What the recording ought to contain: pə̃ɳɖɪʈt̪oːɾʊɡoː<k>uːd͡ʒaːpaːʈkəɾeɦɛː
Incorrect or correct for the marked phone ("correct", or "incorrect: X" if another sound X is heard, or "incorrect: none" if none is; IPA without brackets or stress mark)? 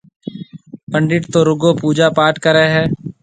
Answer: incorrect: p